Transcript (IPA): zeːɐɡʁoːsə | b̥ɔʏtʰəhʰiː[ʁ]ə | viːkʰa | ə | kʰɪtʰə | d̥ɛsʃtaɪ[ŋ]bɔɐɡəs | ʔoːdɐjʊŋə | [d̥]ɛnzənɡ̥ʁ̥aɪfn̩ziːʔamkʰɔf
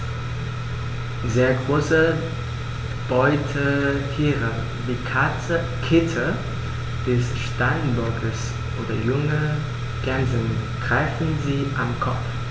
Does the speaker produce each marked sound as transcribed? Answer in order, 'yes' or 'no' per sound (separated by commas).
yes, no, no